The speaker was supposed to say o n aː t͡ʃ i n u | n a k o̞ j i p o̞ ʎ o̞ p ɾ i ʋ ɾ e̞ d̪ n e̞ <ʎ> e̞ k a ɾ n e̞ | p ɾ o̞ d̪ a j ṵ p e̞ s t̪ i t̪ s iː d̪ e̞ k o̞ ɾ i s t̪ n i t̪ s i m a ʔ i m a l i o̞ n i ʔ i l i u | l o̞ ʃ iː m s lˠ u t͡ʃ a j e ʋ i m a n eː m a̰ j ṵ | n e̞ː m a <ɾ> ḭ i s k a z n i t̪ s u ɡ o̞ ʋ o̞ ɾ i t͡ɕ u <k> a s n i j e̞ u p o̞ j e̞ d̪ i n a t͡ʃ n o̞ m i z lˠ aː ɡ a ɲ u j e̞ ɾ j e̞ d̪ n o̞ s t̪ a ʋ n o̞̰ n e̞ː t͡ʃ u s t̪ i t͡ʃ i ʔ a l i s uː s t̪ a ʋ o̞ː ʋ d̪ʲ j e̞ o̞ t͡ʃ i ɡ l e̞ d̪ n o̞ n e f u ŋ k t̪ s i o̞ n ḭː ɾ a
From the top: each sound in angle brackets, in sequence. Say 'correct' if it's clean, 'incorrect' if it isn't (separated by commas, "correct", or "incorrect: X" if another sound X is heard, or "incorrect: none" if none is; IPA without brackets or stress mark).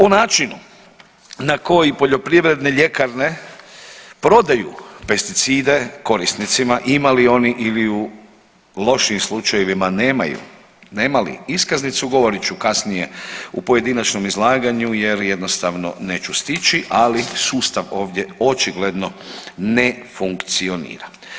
correct, incorrect: l, correct